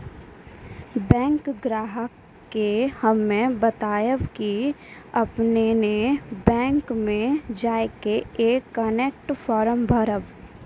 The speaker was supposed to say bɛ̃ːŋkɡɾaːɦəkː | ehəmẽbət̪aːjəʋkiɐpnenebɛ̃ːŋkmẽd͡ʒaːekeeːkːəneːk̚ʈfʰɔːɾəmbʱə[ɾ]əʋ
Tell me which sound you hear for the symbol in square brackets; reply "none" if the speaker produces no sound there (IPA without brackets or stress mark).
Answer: ɾ